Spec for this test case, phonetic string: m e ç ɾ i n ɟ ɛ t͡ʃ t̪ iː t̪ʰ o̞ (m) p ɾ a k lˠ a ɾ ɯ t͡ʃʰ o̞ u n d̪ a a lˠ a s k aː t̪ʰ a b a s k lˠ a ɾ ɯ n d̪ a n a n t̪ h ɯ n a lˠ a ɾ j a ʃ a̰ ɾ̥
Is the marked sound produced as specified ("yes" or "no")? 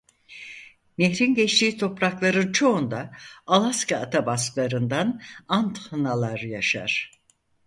no